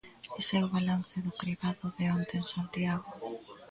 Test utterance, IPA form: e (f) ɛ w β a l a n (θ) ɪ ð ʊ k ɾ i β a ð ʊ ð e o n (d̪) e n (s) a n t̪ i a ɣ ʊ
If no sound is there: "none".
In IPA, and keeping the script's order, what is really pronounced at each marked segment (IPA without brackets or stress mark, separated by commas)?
s, θ, t̪, s